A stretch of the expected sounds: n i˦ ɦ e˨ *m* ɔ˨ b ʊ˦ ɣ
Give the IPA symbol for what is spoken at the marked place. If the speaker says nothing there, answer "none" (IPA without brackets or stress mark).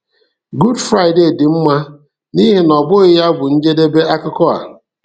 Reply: n